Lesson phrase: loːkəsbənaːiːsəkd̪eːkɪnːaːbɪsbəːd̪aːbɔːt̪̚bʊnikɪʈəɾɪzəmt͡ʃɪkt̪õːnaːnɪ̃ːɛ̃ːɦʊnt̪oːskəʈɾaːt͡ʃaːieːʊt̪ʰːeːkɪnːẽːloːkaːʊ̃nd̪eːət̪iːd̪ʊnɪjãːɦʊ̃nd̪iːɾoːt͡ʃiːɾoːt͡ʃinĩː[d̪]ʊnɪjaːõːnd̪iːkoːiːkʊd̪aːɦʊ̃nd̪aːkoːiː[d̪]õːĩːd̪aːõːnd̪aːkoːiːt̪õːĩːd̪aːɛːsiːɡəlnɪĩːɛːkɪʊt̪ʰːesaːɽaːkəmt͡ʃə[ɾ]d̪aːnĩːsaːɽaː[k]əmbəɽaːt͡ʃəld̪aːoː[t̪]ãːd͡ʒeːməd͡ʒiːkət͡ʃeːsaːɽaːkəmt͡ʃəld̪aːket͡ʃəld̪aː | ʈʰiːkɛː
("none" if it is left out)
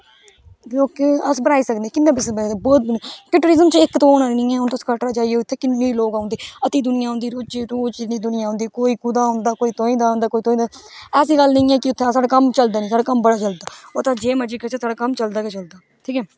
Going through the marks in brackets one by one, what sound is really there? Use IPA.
d̪, t̪, l, k, t̪

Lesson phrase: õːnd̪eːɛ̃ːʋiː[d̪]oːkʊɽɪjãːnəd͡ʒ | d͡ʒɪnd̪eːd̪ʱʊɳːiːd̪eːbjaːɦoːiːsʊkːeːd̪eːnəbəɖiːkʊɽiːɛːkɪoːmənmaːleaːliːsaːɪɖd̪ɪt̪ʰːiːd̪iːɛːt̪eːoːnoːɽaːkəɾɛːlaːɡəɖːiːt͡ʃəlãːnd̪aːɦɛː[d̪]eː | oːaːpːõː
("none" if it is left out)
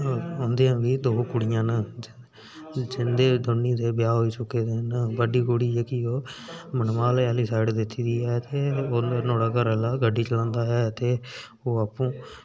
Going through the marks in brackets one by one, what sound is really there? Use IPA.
d̪, t̪

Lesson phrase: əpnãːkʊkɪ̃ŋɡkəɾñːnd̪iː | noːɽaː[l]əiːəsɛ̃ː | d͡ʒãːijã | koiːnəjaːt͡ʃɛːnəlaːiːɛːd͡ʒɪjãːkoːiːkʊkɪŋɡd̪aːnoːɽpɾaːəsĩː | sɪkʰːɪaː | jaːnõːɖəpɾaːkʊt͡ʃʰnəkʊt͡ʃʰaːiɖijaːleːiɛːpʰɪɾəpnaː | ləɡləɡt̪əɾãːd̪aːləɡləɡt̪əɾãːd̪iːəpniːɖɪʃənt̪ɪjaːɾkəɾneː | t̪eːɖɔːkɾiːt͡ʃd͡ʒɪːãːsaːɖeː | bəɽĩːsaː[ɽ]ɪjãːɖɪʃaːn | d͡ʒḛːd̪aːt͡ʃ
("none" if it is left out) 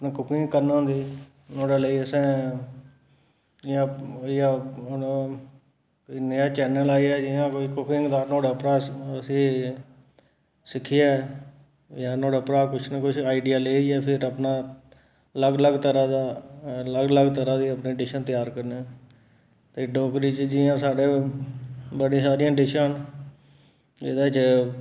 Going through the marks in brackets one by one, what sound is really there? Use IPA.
l, ɾ

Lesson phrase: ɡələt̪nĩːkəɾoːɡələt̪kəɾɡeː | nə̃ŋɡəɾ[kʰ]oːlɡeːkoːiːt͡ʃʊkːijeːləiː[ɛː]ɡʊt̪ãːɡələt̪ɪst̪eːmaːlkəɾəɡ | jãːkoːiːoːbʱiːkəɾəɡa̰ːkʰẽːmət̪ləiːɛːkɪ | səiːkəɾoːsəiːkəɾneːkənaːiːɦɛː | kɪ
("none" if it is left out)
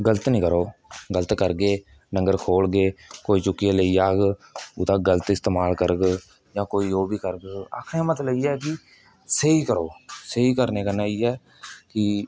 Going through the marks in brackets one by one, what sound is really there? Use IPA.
kʰ, aː

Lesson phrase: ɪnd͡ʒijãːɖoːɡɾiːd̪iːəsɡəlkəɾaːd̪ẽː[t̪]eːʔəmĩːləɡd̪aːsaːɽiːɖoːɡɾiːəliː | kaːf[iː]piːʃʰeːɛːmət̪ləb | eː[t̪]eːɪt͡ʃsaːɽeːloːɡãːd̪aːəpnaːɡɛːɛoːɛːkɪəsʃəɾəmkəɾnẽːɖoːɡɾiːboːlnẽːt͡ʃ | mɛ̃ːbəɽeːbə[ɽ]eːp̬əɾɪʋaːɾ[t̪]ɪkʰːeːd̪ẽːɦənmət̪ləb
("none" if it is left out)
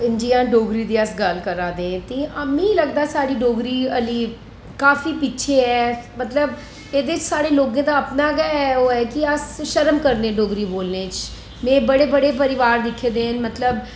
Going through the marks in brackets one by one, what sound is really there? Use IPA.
t̪, iː, d̪, ɽ, d̪

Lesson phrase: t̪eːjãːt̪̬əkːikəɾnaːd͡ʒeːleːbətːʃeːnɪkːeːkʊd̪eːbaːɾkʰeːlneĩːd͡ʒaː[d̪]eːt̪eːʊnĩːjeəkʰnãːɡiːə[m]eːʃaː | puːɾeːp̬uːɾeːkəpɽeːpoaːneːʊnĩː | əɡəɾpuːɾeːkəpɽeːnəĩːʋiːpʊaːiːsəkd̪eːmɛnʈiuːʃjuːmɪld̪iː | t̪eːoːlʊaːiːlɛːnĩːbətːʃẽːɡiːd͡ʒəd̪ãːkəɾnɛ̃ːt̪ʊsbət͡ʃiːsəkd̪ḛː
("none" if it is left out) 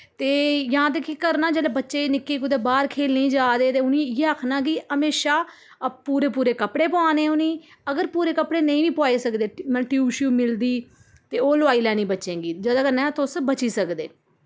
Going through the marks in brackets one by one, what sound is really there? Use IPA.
d̪, m

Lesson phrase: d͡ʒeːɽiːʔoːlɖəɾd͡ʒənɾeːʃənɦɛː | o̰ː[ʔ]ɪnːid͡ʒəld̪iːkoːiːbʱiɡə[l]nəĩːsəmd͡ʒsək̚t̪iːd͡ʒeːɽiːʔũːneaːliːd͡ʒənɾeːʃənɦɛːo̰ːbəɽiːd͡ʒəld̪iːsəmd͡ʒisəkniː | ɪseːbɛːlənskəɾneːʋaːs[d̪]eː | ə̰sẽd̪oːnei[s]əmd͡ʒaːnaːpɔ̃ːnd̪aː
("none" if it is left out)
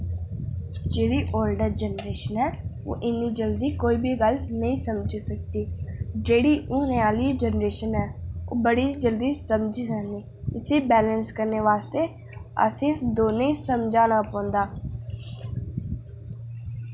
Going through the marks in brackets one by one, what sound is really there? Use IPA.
ʔ, l, t̪, s

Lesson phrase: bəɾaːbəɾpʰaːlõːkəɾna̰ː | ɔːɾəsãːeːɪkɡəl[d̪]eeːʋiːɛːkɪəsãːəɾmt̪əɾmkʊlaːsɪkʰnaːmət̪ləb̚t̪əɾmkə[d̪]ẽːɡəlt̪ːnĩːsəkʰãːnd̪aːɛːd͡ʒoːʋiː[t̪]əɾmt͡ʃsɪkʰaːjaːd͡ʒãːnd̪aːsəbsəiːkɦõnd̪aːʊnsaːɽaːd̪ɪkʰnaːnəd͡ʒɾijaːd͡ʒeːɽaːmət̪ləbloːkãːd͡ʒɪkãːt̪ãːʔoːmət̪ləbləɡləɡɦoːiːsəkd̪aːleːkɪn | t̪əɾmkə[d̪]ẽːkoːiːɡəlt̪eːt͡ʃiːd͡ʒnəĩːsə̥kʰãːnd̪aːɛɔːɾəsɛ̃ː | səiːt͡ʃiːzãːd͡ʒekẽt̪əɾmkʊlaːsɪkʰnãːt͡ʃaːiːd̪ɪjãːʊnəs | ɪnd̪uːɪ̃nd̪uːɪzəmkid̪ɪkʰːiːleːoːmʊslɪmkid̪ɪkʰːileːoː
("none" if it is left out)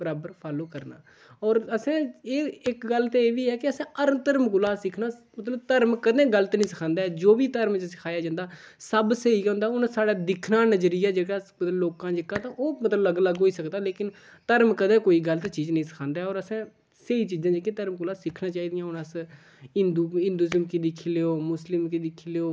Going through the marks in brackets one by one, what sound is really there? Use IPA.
t̪, d̪, t̪, d̪

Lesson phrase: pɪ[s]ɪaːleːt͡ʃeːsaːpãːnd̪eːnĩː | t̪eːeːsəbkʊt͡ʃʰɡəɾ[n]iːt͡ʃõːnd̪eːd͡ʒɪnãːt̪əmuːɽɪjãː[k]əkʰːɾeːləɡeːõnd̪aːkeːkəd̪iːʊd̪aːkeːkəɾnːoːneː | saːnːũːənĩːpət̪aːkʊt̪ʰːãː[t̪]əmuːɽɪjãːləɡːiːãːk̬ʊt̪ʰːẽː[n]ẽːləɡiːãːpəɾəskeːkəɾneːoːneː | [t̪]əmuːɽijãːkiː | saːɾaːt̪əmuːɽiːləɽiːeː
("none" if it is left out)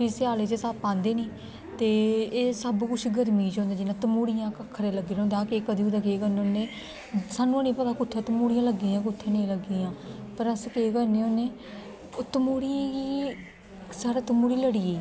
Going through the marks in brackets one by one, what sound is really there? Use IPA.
s, m, k, t̪, n, t̪

